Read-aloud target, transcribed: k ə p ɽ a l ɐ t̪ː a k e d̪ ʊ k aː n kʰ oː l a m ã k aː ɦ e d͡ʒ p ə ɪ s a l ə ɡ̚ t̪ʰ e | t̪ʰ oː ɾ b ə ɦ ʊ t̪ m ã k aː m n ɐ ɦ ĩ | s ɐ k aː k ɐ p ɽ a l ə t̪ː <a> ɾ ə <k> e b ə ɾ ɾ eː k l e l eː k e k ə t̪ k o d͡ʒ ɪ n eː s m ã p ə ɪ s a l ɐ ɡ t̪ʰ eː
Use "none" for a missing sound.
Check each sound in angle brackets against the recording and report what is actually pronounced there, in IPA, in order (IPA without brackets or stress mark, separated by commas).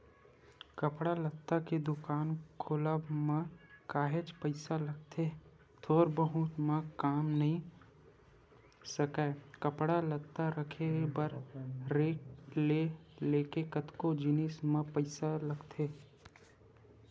a, kʰ